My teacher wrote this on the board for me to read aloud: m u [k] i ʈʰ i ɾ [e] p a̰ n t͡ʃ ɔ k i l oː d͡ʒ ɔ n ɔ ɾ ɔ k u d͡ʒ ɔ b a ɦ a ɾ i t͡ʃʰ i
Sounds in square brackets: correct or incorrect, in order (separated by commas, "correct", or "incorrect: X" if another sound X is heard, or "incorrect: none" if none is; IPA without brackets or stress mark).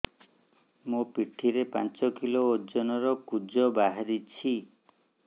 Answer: incorrect: p, correct